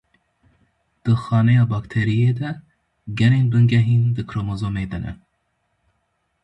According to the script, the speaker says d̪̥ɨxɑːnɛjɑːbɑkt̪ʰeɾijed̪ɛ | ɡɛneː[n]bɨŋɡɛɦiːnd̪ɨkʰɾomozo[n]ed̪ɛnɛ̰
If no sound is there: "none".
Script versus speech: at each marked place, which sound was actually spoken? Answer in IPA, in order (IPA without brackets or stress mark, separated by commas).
n, m